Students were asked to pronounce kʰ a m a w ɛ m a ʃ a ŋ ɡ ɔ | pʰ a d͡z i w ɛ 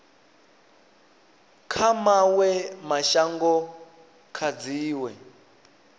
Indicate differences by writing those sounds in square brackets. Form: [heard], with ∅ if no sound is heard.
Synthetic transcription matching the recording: kʰ a m a w ɛ m a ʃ a ŋ ɡ ɔ | [kʰ] a d͡z [iː] w ɛ